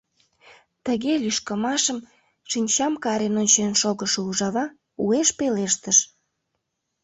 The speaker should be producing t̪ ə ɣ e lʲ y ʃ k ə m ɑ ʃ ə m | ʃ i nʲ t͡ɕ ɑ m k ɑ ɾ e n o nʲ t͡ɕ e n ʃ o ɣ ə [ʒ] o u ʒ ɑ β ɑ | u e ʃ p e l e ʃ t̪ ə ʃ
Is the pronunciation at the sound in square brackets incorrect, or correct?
incorrect